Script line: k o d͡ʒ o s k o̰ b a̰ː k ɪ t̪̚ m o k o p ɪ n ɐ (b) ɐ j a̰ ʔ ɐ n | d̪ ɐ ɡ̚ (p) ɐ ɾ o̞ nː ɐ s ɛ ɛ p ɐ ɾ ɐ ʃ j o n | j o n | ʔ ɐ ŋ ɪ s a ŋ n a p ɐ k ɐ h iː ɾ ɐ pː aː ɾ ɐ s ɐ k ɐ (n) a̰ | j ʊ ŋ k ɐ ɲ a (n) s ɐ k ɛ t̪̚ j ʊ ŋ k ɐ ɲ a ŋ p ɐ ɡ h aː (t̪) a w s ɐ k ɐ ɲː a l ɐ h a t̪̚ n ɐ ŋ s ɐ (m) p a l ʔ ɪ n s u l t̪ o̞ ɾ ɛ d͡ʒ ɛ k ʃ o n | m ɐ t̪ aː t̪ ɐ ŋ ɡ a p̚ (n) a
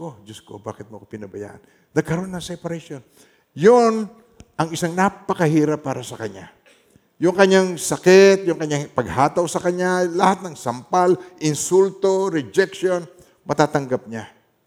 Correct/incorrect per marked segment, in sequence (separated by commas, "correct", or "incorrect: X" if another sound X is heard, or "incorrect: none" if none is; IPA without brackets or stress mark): correct, incorrect: k, incorrect: ɲ, incorrect: ŋ, correct, correct, incorrect: ɲ